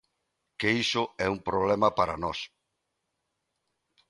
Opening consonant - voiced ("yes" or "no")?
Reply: no